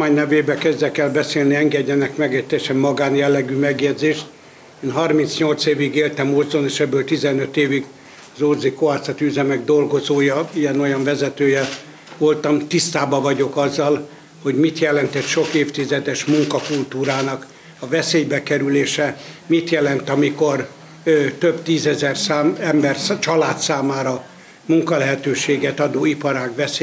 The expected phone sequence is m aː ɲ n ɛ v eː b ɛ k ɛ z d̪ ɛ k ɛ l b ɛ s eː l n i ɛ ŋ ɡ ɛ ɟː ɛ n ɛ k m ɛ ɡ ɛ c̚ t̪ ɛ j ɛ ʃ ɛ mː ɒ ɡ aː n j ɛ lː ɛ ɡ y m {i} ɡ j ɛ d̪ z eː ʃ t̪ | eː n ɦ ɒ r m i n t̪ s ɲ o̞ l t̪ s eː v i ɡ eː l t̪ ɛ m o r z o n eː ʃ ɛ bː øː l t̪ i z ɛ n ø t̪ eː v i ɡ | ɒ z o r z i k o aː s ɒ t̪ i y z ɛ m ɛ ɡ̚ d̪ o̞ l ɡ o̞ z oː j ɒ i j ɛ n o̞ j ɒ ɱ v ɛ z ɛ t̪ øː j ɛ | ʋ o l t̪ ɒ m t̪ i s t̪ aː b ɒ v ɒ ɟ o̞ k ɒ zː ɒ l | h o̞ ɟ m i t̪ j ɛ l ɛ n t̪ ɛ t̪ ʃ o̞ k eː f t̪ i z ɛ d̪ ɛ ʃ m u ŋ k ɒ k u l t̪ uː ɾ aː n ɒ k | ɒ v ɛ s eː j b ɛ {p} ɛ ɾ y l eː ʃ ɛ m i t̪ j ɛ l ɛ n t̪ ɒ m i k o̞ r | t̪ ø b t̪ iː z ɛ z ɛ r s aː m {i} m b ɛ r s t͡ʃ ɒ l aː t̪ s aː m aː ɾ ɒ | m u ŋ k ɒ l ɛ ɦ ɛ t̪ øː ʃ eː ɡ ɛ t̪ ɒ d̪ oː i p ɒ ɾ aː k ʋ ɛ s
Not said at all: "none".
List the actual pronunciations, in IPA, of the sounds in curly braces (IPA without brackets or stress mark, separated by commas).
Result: ɛ, k, ɛ